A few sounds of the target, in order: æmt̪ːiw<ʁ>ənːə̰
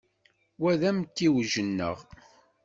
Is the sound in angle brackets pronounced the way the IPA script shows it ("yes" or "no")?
no